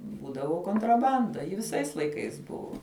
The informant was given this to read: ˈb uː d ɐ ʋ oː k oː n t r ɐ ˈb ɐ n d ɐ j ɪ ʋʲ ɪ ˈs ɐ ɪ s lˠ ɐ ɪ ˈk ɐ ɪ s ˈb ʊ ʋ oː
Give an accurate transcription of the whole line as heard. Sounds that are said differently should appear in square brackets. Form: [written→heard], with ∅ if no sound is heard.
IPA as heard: ˈb uː d ɐ ʋ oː k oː n t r ɐ ˈb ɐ n d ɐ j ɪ ʋʲ ɪ ˈs ɐ ɪ s lˠ ɐ ɪ ˈk ɐ ɪ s ˈb ʊ ʋ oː